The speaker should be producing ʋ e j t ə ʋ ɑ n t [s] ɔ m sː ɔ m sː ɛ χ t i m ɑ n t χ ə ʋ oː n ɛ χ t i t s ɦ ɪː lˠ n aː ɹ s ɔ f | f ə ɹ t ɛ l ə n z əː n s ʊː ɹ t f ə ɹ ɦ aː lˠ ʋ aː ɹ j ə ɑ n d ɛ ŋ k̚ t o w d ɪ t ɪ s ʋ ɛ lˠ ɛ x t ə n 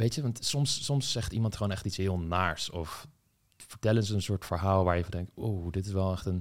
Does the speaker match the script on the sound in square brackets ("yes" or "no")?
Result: yes